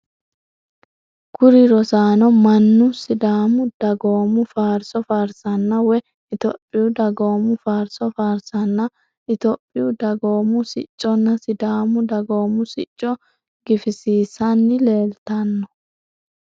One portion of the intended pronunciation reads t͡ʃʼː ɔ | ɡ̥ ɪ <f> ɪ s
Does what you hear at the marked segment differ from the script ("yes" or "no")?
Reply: no